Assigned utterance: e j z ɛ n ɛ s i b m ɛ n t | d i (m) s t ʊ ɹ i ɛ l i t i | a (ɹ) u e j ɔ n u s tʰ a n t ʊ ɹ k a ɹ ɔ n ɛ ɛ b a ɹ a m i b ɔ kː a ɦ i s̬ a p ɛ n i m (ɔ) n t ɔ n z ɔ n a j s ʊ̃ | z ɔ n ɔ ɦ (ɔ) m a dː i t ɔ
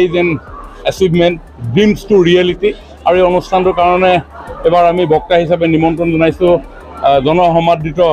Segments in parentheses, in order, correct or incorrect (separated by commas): correct, correct, correct, correct